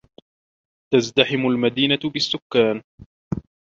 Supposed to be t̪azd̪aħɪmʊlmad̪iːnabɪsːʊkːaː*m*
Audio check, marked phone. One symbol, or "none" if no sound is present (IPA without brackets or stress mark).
n